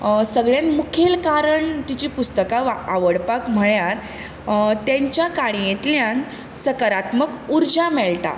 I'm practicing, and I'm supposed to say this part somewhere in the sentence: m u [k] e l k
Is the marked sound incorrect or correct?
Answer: incorrect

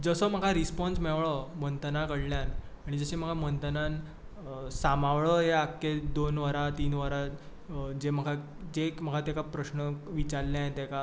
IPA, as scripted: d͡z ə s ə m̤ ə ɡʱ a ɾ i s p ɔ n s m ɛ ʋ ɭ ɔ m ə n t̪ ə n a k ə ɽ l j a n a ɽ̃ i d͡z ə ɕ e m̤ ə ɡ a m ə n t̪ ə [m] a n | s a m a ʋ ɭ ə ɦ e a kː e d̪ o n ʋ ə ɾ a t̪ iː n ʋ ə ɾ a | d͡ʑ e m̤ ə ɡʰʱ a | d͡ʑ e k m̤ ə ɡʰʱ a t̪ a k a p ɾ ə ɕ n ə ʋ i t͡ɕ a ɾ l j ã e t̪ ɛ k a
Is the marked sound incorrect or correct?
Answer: incorrect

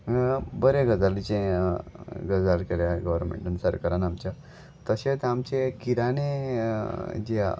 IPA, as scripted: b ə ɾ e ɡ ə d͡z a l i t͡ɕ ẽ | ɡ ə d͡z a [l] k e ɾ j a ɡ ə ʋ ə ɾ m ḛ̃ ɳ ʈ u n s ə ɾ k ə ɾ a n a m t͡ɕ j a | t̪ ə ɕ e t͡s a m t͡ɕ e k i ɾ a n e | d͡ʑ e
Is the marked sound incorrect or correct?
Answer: correct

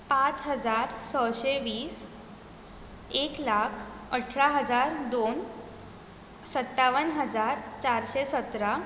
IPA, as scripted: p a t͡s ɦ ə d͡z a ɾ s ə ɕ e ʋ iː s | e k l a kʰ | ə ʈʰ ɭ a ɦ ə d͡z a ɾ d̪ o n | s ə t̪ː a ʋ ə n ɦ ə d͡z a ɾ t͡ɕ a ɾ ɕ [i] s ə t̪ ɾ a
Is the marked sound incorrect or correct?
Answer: incorrect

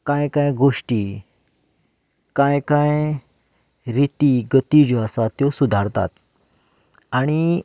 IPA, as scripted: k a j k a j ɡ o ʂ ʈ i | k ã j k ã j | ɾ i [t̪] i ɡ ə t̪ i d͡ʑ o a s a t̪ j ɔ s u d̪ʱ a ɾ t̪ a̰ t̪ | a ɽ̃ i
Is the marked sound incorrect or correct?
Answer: correct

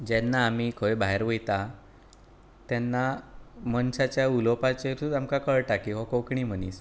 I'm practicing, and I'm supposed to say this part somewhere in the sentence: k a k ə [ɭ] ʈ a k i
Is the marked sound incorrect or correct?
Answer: correct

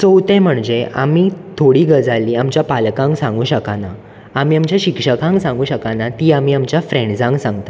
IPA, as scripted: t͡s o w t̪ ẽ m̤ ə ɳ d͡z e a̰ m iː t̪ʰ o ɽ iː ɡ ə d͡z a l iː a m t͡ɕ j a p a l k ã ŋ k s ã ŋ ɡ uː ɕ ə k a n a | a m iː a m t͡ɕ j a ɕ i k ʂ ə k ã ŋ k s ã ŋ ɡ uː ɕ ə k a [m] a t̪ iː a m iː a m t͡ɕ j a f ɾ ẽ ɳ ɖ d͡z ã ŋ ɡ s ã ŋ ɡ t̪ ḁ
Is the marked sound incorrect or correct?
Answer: incorrect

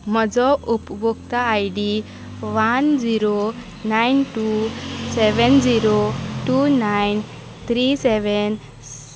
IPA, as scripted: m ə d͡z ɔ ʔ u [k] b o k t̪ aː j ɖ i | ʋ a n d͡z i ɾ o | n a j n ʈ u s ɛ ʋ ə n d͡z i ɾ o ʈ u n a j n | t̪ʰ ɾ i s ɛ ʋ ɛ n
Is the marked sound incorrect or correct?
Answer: incorrect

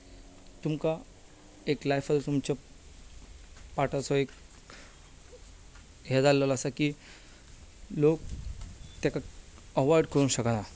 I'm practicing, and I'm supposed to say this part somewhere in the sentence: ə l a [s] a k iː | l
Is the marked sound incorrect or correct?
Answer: correct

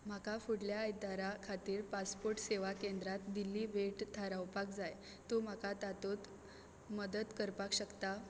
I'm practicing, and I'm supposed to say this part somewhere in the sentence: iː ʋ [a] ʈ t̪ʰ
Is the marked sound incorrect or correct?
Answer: incorrect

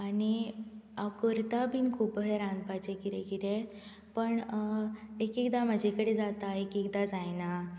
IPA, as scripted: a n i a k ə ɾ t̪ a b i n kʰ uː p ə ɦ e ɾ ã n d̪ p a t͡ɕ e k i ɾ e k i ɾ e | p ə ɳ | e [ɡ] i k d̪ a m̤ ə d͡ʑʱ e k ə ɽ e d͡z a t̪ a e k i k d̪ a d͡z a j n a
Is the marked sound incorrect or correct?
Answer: incorrect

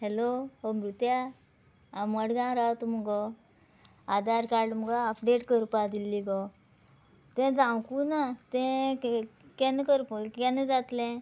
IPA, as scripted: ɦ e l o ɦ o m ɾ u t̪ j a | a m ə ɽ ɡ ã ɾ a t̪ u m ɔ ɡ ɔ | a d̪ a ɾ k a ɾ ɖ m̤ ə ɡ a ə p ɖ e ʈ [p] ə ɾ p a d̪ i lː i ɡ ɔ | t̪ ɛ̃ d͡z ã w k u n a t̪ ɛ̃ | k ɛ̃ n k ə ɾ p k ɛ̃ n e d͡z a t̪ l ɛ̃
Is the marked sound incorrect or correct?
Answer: incorrect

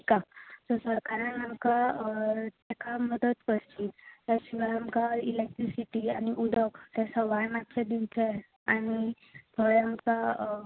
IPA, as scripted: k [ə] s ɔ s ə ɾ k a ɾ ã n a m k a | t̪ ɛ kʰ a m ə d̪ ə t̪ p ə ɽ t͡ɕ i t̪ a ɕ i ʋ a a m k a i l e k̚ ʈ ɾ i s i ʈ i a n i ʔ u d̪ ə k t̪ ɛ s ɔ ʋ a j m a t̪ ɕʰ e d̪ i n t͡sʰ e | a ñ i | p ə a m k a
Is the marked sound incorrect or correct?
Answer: incorrect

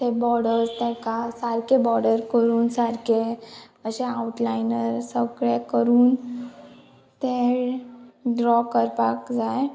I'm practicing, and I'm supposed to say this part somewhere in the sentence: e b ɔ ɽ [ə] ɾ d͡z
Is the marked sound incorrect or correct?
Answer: correct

